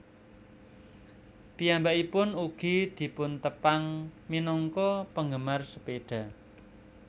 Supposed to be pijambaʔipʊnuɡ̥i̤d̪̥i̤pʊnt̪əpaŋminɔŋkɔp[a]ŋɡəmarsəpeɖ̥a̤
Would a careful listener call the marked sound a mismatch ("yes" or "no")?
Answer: yes